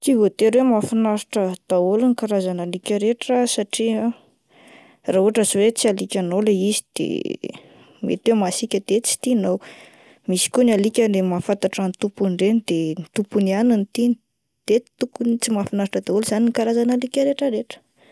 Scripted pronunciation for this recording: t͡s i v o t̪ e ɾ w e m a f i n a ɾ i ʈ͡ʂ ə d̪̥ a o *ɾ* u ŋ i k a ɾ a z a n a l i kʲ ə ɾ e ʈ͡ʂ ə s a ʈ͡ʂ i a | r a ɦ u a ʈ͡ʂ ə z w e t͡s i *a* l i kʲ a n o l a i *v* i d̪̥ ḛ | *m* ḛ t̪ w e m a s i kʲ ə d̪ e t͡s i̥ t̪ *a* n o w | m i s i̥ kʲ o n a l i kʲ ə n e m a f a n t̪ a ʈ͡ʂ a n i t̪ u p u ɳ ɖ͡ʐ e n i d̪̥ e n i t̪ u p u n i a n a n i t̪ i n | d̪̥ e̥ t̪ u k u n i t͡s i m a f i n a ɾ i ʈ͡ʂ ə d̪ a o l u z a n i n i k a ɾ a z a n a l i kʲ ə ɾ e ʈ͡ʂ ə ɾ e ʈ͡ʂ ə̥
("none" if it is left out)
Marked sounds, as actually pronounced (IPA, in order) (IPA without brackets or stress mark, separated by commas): l, a, z, m, i